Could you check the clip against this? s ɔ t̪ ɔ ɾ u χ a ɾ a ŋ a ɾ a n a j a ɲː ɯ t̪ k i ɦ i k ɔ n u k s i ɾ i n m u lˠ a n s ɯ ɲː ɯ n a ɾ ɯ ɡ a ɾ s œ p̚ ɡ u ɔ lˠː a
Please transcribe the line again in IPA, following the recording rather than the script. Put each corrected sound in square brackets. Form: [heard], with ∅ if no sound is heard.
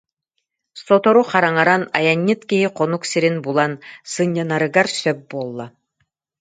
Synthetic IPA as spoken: s ɔ t̪ ɔ ɾ u χ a ɾ a ŋ a ɾ a n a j a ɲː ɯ t̪ k i ɦ i [q] ɔ n u k s i ɾ i n [b] u lˠ a n s ɯ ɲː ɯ n a ɾ ɯ ɡ a ɾ s œ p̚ [b] u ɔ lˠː a